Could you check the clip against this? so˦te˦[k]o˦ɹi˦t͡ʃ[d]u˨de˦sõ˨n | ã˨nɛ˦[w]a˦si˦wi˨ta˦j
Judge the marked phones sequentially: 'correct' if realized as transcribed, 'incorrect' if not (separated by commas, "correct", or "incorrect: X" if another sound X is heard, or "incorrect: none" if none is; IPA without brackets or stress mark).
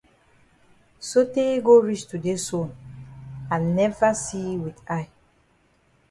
incorrect: ɡ, incorrect: t, incorrect: v